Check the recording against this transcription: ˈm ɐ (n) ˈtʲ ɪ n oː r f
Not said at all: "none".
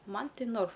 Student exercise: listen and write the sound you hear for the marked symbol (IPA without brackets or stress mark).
n